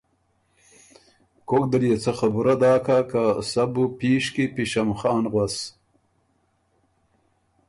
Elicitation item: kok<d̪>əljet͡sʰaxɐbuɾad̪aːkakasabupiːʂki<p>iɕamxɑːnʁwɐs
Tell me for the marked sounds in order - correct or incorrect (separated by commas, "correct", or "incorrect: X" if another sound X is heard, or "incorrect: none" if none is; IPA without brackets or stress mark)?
correct, correct